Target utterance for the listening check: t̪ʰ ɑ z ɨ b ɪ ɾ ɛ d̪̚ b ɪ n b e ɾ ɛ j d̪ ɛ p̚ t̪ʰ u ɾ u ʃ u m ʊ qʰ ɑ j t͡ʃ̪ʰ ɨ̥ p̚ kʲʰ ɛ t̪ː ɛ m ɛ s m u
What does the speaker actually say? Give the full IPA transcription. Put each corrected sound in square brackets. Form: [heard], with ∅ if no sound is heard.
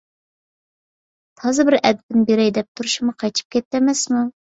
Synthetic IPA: t̪ʰ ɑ z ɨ b ɪ ɾ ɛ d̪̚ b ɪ n b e ɾ ɛ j d̪ ɛ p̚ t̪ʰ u ɾ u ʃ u m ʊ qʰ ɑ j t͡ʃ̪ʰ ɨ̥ p̚ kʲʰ ɛ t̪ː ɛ m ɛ s m u